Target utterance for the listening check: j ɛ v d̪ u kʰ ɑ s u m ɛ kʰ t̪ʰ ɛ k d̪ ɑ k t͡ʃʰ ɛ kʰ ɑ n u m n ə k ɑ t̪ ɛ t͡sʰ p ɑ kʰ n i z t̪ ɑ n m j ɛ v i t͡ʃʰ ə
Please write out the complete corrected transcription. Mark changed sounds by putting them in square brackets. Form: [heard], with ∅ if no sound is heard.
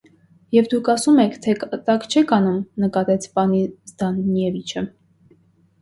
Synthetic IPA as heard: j ɛ v d̪ u kʰ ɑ s u m ɛ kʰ t̪ʰ ɛ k [t̪] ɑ k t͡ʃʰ ɛ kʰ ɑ n u m n ə k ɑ t̪ ɛ t͡sʰ p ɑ [∅] n i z [d̪] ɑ n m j ɛ v i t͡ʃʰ ə